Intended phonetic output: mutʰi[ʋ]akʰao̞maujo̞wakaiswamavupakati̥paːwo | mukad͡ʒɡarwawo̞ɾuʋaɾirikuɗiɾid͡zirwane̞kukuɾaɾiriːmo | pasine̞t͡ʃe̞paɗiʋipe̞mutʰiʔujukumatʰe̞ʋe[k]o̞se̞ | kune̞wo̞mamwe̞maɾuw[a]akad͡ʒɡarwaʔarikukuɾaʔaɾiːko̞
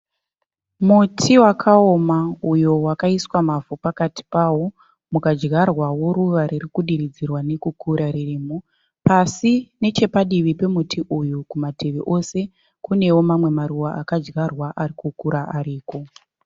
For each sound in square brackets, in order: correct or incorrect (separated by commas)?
incorrect, incorrect, correct